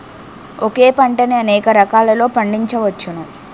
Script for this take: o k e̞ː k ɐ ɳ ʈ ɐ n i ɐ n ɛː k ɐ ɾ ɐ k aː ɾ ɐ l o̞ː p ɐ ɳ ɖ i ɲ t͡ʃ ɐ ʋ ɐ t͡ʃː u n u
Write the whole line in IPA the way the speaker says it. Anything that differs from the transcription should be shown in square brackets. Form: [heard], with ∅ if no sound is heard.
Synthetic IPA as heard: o k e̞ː [p] ɐ ɳ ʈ ɐ n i ɐ n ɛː k ɐ ɾ ɐ k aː [l] ɐ l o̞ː p ɐ ɳ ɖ i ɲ t͡ʃ ɐ ʋ ɐ t͡ʃː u n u